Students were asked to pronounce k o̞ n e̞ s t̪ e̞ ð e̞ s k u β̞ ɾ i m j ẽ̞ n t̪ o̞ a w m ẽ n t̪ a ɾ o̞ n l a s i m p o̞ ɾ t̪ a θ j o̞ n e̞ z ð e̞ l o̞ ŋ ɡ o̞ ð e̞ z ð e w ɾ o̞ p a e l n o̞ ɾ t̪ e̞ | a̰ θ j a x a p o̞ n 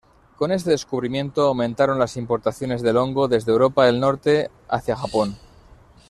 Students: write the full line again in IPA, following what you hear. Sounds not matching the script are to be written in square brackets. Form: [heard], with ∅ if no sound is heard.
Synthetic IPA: k o̞ n e̞ s t̪ e̞ ð e̞ s k u β̞ ɾ i m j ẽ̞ n t̪ o̞ a w m ẽ n t̪ a ɾ o̞ n l a s i m p o̞ ɾ t̪ a θ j o̞ n e̞ z ð e̞ l o̞ ŋ ɡ o̞ ð e̞ z ð e w ɾ o̞ p a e l n o̞ ɾ t̪ e̞ | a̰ θ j a x a p o̞ n

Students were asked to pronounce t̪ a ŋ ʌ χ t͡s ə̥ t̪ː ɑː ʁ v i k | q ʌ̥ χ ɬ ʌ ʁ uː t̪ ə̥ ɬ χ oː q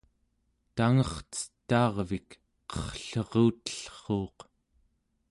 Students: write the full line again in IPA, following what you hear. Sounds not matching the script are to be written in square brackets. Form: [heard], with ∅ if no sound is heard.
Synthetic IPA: t̪ a ŋ ʌ χ t͡s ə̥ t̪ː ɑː ʁ v i k | q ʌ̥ χ ɬ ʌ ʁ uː t̪ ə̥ ɬ χ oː q

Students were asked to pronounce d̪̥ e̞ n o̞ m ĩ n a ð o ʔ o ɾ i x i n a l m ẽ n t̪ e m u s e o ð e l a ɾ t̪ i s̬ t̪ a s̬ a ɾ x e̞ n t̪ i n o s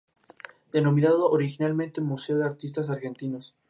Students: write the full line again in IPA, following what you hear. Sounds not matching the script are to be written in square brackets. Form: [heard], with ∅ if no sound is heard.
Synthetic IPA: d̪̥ e̞ n o̞ m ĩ n a ð o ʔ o ɾ i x i n a l m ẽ n t̪ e m u s e o ð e [∅] a ɾ t̪ i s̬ t̪ a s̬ a ɾ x e̞ n t̪ i n o s

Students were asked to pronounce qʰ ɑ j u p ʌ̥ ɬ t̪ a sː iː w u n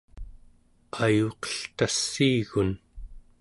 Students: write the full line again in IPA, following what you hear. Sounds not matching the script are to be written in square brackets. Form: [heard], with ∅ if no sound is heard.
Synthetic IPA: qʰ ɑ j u [q] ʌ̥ ɬ t̪ a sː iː [ɣ] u n

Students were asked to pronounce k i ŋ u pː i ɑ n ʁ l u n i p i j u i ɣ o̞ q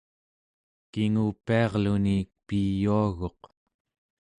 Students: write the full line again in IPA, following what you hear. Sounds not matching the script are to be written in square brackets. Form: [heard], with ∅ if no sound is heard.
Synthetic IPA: k i ŋ u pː i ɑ [∅] ʁ l u n i p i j u [a] ɣ o̞ q

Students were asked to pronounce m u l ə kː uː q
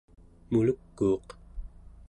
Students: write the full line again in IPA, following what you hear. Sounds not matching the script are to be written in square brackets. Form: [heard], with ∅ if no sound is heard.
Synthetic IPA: m u l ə kː uː q

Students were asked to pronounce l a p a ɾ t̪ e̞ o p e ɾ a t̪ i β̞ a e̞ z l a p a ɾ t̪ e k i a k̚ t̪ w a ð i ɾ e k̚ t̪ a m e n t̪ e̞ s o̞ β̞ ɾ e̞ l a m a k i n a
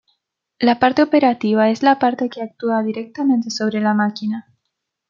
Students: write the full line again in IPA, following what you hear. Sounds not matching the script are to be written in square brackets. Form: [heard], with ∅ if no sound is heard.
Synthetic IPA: l a p a ɾ t̪ e̞ o p e ɾ a t̪ i β̞ a e̞ z l a p a ɾ t̪ e k [e] a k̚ t̪ [u] a ð i ɾ e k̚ t̪ a m [ẽ] n t̪ e̞ s o̞ β̞ ɾ e̞ l a m a k i n a

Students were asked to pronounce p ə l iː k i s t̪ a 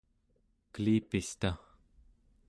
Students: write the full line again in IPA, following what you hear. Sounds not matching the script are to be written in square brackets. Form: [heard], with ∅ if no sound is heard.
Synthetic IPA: [k] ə l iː [p] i s t̪ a

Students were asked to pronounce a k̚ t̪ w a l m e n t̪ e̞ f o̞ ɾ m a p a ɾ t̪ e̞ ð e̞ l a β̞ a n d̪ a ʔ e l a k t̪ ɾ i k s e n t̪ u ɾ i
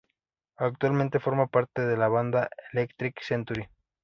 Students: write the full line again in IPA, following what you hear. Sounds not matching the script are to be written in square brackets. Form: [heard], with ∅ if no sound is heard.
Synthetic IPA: a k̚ t̪ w a l m e n t̪ e̞ f o̞ ɾ m a p a ɾ t̪ e̞ ð e̞ l a β̞ a n d̪ a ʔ e l [e] k t̪ ɾ i k s e n t̪ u ɾ i

